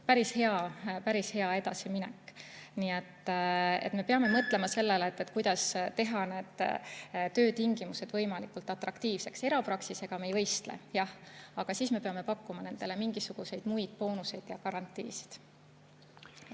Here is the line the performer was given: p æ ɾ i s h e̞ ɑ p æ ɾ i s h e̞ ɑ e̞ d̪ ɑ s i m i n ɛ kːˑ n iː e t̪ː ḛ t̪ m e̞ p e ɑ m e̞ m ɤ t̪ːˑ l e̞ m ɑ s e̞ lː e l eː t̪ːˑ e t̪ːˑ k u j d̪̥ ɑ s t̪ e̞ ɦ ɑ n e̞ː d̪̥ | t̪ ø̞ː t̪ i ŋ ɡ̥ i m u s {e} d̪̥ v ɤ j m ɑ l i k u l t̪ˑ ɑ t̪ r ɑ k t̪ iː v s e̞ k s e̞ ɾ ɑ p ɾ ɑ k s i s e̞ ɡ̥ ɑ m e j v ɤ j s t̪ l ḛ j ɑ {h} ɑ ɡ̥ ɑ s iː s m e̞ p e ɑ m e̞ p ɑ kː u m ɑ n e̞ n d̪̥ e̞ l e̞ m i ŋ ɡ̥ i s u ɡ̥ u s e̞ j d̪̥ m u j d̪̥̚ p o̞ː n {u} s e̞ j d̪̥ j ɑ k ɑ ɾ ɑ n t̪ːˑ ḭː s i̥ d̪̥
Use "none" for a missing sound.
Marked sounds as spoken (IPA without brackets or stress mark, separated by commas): e, h, u